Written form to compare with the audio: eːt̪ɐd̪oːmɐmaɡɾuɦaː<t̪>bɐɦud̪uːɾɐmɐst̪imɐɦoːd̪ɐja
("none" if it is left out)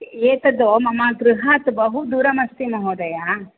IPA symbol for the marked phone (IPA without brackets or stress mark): t̪